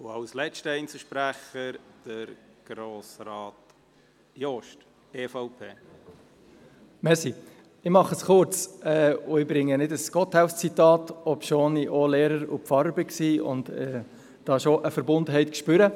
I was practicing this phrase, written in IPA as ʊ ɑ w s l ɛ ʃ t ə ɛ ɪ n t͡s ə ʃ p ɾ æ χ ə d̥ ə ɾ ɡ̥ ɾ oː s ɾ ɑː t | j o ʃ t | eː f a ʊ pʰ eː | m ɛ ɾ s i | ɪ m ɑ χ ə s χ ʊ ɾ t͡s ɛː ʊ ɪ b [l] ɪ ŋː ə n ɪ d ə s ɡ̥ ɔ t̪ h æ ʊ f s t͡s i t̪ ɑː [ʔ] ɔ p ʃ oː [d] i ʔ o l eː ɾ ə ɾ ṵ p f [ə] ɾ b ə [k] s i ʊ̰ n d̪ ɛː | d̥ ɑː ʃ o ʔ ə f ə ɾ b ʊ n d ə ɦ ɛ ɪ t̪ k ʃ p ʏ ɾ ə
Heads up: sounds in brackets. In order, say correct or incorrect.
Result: incorrect: ɾ, incorrect: t, incorrect: n, incorrect: ɑ, correct

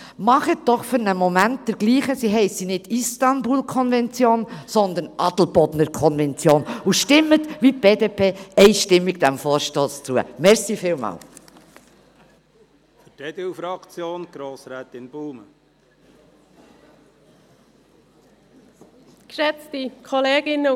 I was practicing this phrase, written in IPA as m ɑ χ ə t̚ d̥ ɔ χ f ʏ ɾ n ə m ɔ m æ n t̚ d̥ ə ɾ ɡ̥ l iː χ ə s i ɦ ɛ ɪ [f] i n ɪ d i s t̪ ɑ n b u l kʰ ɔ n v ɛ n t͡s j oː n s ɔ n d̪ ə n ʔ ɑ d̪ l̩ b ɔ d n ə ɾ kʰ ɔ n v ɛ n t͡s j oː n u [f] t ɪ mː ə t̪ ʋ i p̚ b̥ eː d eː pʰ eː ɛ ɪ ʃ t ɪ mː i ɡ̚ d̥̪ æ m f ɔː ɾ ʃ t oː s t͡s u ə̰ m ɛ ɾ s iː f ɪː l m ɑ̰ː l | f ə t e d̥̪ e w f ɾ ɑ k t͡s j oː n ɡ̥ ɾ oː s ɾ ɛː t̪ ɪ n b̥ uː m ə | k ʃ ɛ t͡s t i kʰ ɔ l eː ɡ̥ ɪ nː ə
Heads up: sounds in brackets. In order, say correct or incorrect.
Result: incorrect: s, incorrect: ʃ

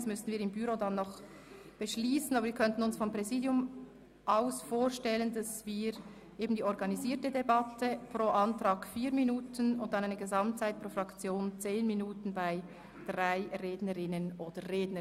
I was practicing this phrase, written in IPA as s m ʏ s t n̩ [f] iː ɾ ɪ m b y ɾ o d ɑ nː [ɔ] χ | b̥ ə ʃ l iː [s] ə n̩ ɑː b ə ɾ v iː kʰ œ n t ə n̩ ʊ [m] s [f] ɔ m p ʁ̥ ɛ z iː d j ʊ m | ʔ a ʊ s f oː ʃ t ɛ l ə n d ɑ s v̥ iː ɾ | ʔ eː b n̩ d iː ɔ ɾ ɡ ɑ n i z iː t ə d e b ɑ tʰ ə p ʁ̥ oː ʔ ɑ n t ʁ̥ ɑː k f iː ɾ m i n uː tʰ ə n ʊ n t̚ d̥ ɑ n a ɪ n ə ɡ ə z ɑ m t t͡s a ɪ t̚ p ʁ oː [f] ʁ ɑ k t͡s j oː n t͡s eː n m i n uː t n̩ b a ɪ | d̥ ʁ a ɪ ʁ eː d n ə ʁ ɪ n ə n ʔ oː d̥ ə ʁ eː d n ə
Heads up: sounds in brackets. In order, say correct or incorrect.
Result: incorrect: v, correct, correct, incorrect: n, correct, correct

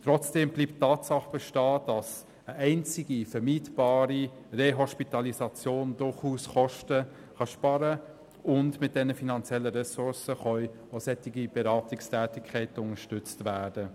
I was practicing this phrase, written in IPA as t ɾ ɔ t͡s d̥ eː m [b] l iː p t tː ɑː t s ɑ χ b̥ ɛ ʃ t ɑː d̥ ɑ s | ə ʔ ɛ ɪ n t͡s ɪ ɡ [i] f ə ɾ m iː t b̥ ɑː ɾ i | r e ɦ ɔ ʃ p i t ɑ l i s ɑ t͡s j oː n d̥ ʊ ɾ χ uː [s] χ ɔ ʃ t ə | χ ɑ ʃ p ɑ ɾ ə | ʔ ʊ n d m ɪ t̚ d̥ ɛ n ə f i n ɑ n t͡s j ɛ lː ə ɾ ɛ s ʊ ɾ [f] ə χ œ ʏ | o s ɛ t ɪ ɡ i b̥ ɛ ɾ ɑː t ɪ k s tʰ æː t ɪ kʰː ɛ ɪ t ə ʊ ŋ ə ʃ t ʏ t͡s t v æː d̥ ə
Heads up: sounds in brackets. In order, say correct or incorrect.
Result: correct, correct, correct, incorrect: s

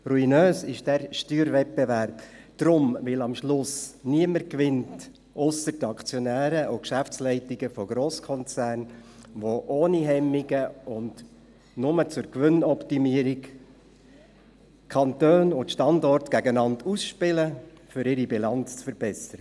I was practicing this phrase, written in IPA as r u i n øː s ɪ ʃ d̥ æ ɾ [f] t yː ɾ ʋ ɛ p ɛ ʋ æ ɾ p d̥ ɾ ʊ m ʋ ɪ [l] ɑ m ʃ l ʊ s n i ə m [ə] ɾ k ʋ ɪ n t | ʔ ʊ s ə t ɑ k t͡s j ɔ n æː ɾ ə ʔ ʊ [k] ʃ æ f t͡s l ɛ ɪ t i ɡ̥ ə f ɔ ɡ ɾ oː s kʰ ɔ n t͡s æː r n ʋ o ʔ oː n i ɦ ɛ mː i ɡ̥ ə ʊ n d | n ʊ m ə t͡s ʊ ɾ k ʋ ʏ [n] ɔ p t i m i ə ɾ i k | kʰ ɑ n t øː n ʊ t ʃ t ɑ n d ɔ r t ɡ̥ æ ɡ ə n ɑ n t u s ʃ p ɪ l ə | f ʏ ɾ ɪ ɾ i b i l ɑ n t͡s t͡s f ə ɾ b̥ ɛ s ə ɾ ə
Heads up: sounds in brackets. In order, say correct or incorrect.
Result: incorrect: ʃ, correct, correct, correct, correct

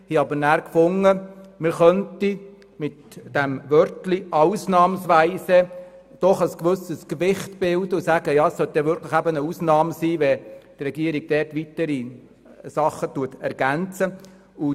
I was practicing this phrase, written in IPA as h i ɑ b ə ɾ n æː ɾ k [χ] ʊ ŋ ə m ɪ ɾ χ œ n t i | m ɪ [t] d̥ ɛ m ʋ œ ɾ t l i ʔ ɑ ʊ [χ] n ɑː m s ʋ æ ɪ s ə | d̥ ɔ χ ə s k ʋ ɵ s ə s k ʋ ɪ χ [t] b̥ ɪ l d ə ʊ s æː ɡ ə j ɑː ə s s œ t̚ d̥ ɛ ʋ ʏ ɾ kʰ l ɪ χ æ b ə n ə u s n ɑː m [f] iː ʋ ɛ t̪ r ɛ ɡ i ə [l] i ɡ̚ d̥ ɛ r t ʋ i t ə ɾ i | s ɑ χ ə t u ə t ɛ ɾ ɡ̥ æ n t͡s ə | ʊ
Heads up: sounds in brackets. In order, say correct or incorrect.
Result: incorrect: f, correct, incorrect: s, correct, incorrect: s, incorrect: ɾ

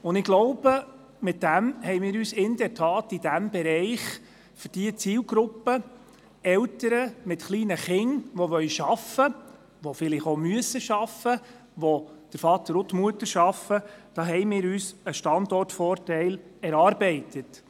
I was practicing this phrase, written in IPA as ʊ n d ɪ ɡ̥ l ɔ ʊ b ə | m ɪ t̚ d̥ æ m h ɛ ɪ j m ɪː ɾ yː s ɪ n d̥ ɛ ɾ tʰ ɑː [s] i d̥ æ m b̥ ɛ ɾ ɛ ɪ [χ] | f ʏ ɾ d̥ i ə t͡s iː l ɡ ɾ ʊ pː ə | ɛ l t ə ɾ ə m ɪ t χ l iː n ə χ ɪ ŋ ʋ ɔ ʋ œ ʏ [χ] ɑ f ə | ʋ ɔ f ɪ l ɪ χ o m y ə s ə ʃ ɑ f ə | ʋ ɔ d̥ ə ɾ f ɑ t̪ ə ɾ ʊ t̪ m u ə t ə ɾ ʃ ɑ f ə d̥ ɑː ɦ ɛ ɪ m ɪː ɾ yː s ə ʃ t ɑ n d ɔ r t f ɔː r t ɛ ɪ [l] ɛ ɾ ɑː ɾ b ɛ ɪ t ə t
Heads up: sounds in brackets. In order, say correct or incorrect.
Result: incorrect: t, correct, incorrect: ʃ, correct

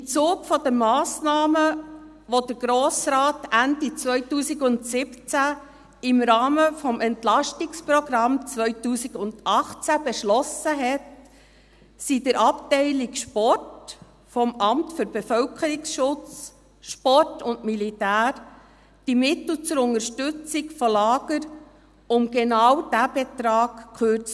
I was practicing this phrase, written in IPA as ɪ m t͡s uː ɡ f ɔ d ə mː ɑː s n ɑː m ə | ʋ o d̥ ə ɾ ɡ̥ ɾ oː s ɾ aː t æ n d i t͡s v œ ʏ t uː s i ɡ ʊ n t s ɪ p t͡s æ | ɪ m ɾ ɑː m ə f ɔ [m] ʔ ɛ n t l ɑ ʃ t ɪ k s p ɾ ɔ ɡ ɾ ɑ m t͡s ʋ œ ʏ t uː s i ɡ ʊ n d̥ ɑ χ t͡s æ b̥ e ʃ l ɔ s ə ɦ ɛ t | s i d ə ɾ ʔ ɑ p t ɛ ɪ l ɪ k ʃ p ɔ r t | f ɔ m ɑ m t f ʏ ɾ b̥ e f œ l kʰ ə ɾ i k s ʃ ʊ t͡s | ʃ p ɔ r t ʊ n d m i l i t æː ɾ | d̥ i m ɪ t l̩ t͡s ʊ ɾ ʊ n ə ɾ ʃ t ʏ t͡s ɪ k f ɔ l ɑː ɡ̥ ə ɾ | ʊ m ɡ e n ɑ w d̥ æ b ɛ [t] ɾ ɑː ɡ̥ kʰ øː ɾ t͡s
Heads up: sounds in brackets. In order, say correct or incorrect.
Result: correct, correct

